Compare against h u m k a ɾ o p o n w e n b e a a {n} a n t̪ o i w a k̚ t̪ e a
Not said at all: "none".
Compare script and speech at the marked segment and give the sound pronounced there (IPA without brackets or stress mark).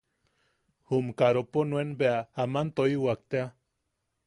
m